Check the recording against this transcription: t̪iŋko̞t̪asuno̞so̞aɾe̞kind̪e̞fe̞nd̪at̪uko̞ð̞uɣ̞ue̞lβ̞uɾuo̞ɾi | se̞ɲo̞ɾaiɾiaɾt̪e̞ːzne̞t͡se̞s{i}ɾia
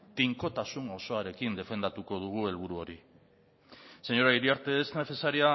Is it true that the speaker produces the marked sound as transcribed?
no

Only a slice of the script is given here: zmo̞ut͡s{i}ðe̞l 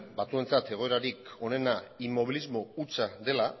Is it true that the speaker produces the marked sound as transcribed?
no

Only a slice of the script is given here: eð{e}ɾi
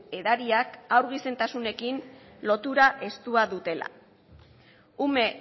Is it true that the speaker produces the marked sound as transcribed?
no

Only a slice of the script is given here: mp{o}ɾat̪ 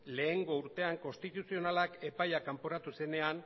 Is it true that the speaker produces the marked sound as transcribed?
yes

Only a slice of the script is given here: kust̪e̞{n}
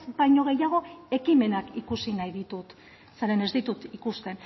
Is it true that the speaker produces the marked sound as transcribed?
yes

